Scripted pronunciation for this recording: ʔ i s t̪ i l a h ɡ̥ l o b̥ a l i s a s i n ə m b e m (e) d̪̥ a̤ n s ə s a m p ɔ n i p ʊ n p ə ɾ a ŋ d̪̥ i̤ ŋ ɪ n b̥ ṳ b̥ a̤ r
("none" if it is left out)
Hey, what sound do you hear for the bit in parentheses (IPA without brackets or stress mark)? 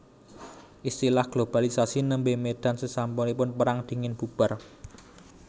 e